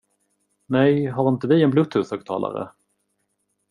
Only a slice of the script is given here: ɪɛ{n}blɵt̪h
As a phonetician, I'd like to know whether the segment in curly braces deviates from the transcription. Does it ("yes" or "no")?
no